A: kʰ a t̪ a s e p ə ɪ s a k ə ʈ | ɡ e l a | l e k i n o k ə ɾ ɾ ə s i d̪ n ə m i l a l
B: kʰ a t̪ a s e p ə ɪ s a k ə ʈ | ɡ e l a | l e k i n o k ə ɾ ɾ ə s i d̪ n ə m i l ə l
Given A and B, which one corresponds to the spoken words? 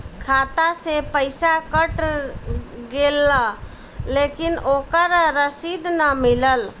B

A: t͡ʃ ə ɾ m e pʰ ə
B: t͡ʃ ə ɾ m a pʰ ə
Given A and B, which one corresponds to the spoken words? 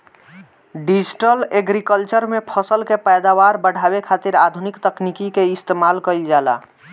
A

